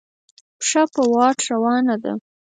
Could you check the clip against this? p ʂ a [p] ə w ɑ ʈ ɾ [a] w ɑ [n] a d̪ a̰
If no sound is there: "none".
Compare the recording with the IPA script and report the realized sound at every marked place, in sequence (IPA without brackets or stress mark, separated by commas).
p, a, n